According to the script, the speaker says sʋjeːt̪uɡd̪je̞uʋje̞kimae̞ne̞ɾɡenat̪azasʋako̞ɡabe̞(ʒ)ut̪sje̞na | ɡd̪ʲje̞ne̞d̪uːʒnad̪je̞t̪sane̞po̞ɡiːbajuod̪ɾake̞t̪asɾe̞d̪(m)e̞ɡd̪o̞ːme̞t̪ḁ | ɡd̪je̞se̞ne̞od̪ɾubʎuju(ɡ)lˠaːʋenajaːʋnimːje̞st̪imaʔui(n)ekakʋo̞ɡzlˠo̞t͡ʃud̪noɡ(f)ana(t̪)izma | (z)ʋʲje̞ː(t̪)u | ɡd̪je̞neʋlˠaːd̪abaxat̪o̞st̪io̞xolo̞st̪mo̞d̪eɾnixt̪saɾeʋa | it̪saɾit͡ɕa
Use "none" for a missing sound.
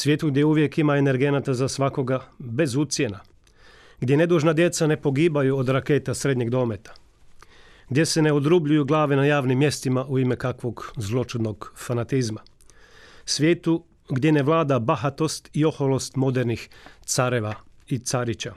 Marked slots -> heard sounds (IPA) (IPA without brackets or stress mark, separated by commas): z, ɲ, ɡ, m, f, t̪, s, t̪